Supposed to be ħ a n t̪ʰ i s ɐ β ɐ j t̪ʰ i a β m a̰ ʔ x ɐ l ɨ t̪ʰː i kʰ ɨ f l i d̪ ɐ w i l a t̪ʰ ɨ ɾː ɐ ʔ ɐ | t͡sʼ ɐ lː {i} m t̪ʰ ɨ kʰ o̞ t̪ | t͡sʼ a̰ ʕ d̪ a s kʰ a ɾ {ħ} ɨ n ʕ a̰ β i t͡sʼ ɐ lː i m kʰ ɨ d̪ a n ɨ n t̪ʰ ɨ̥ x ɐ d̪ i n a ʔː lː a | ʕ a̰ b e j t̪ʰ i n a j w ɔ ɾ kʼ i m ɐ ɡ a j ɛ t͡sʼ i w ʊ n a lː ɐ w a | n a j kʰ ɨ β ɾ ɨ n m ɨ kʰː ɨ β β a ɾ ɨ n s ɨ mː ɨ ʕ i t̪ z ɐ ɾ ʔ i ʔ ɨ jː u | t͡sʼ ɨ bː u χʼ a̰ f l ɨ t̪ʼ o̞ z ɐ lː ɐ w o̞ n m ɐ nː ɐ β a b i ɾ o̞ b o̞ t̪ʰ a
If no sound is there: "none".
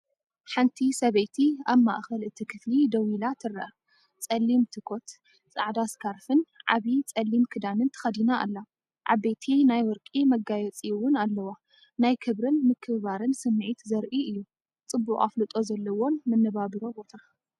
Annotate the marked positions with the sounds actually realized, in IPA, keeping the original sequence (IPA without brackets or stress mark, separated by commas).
i, f